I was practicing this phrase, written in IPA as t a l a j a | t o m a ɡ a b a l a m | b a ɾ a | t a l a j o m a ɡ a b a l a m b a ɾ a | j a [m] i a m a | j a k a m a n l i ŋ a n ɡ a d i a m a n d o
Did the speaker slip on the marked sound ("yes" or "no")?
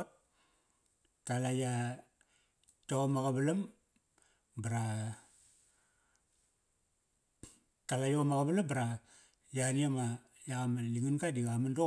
yes